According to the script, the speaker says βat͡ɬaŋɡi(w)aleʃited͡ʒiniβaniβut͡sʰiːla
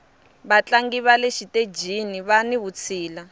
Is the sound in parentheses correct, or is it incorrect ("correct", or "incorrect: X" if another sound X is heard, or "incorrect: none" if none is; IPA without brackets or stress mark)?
incorrect: β